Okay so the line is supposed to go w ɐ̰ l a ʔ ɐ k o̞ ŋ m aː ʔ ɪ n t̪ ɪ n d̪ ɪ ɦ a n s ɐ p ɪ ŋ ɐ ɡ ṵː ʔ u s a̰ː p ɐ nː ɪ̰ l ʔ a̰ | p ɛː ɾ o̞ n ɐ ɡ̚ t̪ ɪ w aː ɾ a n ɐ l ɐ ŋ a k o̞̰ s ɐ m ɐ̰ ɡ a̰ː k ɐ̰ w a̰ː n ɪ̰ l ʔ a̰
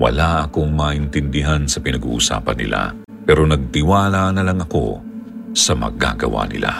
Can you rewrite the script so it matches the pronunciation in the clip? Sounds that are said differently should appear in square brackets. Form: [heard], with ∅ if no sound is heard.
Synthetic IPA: w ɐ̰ l a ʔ ɐ k o̞ ŋ m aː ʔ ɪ n t̪ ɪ n d̪ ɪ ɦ a n s ɐ p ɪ [n] ɐ ɡ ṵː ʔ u s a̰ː p ɐ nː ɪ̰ l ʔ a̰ | p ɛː ɾ o̞ n ɐ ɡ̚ t̪ ɪ w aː [l] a n ɐ l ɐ ŋ [ɐ] k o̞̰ s ɐ m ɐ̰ ɡ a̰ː [ɡ] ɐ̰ w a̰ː n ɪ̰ l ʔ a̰